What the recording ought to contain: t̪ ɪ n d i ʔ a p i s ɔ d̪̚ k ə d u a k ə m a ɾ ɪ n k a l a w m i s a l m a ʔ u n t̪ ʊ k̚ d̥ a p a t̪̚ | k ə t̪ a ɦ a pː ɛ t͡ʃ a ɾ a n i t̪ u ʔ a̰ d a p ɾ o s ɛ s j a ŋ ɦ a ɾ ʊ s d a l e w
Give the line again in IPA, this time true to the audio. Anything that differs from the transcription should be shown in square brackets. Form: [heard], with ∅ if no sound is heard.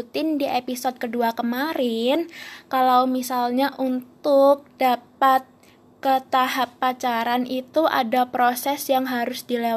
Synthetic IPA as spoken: t̪ ɪ n d i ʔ [e] p i s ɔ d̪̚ k ə d u a k ə m a ɾ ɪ n k a l a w m i s a l [ɲ] a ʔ u n t̪ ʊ k̚ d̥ a p a t̪̚ | k ə t̪ a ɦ a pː [a] t͡ʃ a ɾ a n i t̪ u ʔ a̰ d a p ɾ o s ɛ s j a ŋ ɦ a ɾ ʊ s d [i] l e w